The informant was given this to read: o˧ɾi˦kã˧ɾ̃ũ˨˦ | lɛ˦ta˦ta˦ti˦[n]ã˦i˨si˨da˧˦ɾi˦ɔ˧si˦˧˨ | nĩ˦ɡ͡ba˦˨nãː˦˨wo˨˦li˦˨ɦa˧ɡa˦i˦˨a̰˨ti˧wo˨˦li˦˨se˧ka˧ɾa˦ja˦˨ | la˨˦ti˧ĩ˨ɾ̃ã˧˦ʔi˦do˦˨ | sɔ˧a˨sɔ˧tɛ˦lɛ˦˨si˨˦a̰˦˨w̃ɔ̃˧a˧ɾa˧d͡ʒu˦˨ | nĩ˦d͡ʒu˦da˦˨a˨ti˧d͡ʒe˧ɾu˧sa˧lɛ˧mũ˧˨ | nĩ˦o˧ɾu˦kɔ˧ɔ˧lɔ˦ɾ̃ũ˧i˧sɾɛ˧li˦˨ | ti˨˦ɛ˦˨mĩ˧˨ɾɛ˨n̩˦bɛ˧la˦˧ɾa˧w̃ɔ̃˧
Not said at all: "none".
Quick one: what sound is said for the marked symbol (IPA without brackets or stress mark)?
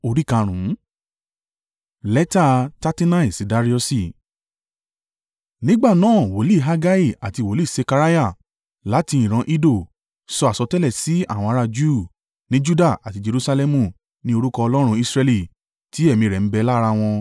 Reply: n